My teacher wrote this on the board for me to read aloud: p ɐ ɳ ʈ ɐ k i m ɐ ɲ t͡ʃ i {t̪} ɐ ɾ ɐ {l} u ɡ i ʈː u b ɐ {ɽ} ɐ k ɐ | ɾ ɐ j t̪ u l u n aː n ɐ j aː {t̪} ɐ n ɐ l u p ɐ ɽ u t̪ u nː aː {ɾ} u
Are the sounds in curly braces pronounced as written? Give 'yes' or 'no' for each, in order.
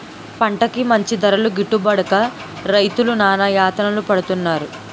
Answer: no, yes, yes, yes, yes

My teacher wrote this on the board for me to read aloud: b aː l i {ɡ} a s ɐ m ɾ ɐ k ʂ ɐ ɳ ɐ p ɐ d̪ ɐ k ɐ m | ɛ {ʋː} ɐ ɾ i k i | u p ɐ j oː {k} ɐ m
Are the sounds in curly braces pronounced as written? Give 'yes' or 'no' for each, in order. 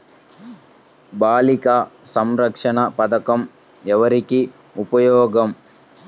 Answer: no, no, no

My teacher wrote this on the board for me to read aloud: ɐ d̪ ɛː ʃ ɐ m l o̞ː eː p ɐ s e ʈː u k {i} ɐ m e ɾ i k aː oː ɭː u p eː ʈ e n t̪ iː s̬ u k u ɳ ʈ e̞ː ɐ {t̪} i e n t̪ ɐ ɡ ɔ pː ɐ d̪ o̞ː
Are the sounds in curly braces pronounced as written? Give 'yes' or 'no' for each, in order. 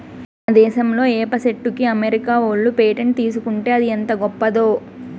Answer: yes, no

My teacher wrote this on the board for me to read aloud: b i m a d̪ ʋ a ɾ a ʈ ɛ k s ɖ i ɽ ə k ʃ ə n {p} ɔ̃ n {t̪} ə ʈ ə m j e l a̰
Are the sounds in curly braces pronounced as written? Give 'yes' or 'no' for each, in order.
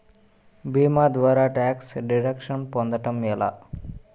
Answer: yes, no

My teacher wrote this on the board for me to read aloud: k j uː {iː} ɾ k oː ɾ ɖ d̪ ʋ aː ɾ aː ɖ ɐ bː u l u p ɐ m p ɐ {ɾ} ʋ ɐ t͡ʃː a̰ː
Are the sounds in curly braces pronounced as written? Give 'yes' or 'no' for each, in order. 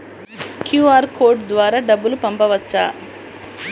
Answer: no, no

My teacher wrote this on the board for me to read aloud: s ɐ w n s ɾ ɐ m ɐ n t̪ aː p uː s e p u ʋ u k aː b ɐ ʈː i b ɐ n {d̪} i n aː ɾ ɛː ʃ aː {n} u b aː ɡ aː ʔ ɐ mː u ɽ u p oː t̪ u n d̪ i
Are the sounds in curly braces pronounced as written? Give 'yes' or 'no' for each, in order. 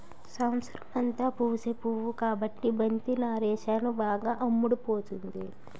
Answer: no, yes

